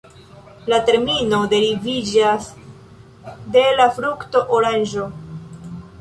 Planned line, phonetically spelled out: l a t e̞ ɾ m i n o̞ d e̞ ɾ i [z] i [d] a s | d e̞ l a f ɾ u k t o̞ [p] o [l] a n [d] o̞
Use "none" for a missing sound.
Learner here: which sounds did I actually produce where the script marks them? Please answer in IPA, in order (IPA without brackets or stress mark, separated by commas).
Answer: v, d͡ʒ, ʔ, ɾ, d͡ʒ